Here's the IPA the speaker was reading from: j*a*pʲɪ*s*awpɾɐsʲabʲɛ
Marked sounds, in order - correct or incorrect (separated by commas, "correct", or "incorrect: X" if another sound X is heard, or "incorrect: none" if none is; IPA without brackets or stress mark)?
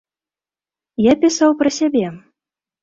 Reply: correct, correct